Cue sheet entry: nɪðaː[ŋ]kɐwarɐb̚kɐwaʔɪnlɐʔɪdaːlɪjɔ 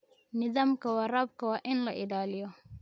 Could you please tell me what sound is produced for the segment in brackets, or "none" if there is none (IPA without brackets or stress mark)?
m